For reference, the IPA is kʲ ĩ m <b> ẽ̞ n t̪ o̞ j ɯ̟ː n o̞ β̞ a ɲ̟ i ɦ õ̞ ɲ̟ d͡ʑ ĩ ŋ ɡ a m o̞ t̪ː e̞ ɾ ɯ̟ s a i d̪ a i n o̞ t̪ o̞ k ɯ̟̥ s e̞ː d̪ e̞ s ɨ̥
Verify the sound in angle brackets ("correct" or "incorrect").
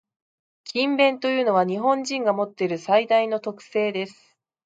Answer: correct